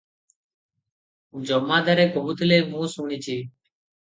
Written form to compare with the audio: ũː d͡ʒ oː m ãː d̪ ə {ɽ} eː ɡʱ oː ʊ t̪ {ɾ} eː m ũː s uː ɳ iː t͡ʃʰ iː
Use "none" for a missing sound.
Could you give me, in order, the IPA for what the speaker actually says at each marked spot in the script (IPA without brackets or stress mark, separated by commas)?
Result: ɾ, l